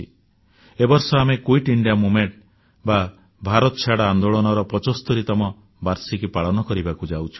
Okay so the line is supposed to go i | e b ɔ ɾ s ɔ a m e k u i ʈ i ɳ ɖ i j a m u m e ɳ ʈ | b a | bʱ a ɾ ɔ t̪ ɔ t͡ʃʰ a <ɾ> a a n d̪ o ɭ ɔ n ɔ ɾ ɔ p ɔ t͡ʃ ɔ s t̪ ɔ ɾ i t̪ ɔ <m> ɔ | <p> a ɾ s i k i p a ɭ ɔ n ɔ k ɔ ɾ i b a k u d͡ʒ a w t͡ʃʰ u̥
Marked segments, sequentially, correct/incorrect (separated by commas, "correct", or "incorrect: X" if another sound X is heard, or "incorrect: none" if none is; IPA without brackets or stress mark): incorrect: ɽ, correct, incorrect: b